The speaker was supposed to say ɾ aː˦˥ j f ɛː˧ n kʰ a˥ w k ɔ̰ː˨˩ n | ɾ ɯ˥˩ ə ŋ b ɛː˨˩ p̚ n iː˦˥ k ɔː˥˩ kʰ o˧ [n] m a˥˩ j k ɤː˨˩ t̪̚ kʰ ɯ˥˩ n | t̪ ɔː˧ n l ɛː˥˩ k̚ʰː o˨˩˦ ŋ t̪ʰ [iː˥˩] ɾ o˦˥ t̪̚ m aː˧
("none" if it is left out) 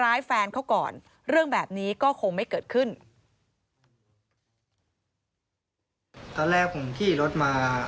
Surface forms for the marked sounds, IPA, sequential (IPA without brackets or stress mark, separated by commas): ŋ, iː˥˩